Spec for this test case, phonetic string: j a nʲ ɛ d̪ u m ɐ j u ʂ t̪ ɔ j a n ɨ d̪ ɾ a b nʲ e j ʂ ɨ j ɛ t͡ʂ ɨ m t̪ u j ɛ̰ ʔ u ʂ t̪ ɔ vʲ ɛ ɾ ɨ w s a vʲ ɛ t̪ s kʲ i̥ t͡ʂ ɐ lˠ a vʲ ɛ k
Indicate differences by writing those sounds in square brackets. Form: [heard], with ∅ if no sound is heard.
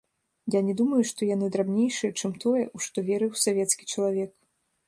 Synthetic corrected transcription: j a nʲ ɛ d̪ u m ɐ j u ʂ t̪ ɔ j a n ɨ d̪ ɾ a b nʲ e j ʂ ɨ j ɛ t͡ʂ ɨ m t̪ [ɔ] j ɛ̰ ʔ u ʂ t̪ ɔ vʲ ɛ ɾ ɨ w s a vʲ ɛ t̪ s kʲ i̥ t͡ʂ ɐ lˠ a vʲ ɛ k